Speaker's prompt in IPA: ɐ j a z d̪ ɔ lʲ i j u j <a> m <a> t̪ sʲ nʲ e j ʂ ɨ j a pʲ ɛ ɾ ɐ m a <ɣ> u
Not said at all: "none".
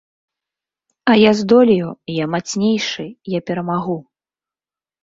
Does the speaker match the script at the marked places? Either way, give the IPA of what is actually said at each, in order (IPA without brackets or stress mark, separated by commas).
a, a, ɣ